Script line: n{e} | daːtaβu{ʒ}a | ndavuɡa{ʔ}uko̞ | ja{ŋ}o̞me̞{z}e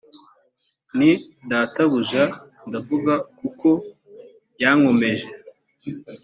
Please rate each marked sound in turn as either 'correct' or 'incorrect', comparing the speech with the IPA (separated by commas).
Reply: incorrect, correct, incorrect, correct, incorrect